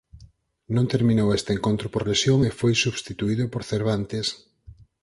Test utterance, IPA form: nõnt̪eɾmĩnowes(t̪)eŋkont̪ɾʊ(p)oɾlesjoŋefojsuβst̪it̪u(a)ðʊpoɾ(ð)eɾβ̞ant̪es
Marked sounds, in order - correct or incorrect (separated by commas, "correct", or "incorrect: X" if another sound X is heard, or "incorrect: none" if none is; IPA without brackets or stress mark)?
correct, correct, incorrect: i, incorrect: θ